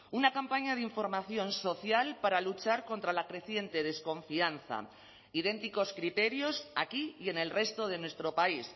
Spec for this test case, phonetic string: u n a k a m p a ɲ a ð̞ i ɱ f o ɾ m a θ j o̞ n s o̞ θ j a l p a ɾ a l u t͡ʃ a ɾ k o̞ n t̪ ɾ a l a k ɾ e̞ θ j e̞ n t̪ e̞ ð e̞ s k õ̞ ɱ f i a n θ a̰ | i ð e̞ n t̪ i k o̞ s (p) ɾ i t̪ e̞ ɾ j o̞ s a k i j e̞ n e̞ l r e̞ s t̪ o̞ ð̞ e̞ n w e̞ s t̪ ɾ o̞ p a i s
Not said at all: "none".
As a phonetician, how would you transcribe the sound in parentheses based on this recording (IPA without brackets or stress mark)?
k